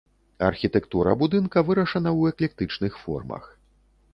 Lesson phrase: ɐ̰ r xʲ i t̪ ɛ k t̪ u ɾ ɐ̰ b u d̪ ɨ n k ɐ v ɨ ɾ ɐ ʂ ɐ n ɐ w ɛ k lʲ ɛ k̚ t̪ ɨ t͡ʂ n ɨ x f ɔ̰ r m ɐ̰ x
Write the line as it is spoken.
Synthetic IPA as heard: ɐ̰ r xʲ i t̪ ɛ k t̪ u ɾ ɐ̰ b u d̪ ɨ n k ɐ v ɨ ɾ ɐ ʂ ɐ n ɐ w ɛ k lʲ ɛ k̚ t̪ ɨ t͡ʂ n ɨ x f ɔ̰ r m ɐ̰ x